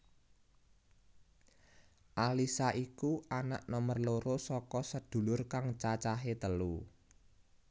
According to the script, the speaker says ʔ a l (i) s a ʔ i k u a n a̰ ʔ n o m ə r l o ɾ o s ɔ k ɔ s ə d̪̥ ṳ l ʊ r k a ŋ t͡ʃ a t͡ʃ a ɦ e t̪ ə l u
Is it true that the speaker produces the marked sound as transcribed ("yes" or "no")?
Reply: yes